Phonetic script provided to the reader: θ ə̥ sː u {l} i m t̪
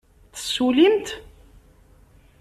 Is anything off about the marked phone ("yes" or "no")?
no